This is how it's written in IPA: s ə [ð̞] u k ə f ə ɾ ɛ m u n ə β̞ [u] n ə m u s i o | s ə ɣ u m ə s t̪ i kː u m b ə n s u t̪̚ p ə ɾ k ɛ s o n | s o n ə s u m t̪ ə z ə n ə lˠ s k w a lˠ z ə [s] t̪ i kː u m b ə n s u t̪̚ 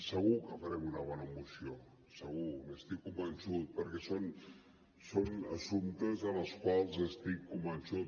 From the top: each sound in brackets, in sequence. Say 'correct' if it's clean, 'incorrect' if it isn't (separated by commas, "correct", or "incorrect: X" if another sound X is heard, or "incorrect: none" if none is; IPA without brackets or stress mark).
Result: incorrect: ɣ̞, incorrect: ɔ, correct